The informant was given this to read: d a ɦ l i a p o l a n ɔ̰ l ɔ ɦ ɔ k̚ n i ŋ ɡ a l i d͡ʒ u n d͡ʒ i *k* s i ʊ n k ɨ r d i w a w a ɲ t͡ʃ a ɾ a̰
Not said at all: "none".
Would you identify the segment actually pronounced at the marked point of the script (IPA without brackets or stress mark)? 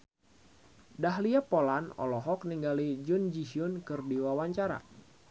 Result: none